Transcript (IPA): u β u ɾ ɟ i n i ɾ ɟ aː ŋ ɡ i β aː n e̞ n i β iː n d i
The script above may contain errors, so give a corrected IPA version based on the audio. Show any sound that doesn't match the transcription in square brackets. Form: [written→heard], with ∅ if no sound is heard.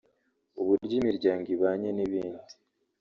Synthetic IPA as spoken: u β u ɾ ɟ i [n→m] i ɾ ɟ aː ŋ ɡ i β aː [n→ɲ] e̞ n i β iː n d i